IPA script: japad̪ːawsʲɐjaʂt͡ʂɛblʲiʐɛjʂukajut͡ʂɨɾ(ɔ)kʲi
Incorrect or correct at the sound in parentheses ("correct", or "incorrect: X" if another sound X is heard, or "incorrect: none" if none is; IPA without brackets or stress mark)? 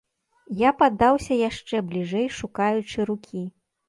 incorrect: u